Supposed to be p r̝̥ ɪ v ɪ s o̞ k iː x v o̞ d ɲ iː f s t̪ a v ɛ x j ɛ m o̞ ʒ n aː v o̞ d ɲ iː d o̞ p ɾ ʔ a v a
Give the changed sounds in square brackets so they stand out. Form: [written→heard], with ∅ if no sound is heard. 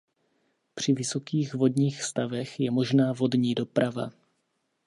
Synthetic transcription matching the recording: p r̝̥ ɪ v ɪ s o̞ k iː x v o̞ d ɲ iː [f→x] s t̪ a v ɛ x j ɛ m o̞ ʒ n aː v o̞ d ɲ iː d o̞ p ɾ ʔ a v a